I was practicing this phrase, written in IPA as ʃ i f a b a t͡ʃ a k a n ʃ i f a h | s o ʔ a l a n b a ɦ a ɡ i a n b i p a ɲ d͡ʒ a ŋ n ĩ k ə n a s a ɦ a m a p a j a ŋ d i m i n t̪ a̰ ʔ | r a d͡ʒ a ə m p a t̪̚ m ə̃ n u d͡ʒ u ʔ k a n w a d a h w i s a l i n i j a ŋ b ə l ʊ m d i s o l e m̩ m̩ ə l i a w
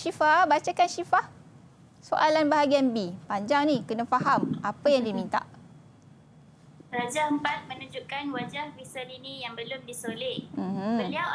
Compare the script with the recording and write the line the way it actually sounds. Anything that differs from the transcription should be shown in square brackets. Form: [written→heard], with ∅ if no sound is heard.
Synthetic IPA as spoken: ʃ i f a b a t͡ʃ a k a n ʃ i f a h | s o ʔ a l a n b a ɦ a ɡ i a n b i p a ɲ d͡ʒ a ŋ n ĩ k ə n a [s→f] a ɦ a m a p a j a ŋ d i m i n t̪ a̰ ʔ | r a d͡ʒ a ə m p a t̪̚ m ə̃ n u d͡ʒ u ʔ k a n w a [d→d͡ʒ] a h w i s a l i n i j a ŋ b ə l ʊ m d i s o l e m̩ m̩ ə l i a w